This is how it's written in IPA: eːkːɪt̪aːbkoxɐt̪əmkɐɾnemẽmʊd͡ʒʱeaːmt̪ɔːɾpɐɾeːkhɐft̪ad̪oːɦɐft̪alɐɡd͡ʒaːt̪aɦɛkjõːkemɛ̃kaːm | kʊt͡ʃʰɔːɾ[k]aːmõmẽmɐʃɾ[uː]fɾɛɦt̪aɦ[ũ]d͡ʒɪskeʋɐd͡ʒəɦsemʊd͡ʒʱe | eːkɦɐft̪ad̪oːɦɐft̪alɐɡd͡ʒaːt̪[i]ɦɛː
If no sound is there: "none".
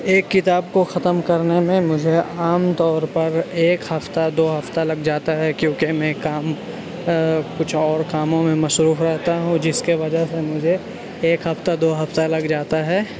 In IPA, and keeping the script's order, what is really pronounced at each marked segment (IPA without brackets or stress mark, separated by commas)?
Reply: k, uː, ũ, a